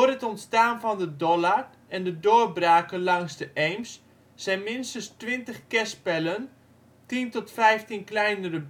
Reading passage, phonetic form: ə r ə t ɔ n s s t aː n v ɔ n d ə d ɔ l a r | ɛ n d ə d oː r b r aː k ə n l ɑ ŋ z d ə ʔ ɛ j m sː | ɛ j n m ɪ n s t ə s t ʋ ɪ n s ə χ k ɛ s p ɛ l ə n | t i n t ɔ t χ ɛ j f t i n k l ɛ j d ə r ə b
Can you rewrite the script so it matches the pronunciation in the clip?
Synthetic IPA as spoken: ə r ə t ɔ n t s t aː n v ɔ n d ə d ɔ l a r | ɛ n d ə d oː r b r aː k ə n l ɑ ŋ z d ə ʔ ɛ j m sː | ɛ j n m ɪ n s t ə s t ʋ ɪ n t ə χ k ɛ s p ɛ l ə n | t i n t ɔ t f ɛ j f t i n k l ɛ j n ə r ə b